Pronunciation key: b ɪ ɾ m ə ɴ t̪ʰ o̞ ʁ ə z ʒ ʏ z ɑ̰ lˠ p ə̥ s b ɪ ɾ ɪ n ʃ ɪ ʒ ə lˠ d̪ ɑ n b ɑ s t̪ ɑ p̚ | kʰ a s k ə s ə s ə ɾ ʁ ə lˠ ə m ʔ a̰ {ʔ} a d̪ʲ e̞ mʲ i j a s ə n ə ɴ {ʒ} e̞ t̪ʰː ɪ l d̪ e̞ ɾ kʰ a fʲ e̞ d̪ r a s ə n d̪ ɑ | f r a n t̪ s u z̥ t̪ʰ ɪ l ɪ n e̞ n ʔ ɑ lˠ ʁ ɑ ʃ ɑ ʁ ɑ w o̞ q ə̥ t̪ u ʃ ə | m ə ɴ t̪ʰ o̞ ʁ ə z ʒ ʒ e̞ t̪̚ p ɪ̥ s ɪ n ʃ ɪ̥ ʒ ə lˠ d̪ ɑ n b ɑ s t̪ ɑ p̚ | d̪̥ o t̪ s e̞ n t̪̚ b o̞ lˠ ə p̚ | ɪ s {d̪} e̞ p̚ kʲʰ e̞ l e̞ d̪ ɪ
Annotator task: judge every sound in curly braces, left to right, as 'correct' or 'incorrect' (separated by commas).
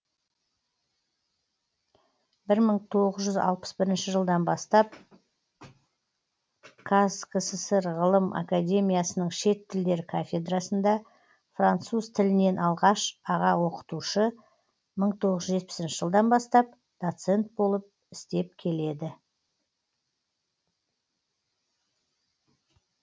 incorrect, incorrect, incorrect